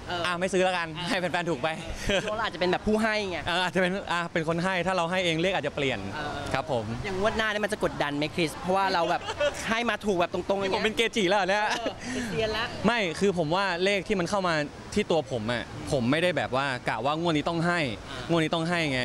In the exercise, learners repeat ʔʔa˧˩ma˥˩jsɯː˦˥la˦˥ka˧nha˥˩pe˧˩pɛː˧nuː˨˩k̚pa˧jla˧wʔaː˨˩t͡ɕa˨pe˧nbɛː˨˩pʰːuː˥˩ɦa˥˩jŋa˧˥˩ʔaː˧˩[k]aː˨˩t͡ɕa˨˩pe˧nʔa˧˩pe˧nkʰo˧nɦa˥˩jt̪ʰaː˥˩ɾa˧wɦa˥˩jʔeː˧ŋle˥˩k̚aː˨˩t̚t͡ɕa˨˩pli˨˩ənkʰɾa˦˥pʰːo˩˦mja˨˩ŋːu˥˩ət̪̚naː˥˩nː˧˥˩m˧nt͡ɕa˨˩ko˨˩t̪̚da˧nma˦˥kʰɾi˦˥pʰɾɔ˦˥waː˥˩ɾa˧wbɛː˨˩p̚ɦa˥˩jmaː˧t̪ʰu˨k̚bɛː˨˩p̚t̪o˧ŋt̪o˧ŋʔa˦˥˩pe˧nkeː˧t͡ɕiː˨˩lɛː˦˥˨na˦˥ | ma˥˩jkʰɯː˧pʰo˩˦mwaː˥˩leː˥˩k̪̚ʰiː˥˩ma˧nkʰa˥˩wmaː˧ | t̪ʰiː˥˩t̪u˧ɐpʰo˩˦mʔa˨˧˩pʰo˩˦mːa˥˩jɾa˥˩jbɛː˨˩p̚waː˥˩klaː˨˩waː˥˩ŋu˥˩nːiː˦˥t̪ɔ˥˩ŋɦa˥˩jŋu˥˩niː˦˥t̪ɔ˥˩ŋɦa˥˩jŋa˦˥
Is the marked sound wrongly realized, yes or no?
yes